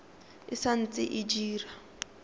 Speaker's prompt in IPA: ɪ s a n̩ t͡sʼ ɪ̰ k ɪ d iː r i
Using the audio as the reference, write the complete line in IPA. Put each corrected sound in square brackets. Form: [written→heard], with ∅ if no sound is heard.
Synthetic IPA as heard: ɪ s a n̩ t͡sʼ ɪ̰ [k→ʔ] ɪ [d→d͡ʒ] iː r [i→a]